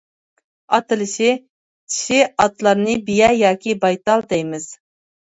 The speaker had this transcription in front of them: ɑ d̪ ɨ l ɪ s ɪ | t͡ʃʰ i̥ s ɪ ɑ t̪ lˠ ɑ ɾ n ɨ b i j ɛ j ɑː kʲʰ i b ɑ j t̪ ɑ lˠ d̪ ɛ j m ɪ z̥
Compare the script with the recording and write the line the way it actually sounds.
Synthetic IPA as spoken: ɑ t̪ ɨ l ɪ ʃ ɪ | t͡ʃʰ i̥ ʃ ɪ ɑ t̪ lˠ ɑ ɾ n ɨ b i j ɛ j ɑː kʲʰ i b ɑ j t̪ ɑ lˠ d̪ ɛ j m ɪ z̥